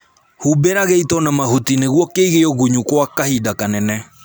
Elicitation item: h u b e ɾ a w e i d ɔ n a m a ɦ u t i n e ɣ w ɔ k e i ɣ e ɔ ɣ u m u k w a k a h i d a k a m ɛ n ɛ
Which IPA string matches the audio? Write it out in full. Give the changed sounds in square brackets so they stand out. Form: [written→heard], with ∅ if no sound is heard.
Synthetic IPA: h u b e ɾ a [w→ɣ] e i [d→t] ɔ n a m a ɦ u t i n e ɣ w ɔ k e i ɣ e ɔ ɣ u [m→ɲ] u k w a k a h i d a k a [m→n] ɛ n ɛ